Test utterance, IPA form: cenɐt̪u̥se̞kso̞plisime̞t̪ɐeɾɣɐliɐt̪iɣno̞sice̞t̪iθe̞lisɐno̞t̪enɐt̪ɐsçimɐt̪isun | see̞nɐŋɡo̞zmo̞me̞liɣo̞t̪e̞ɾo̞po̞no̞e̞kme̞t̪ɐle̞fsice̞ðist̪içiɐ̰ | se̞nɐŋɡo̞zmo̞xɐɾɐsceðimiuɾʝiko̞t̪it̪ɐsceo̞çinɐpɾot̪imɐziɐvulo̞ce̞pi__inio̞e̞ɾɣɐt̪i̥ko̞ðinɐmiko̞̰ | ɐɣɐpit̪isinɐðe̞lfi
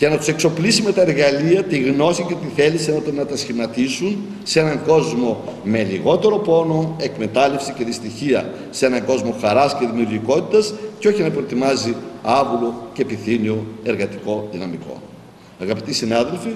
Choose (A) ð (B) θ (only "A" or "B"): B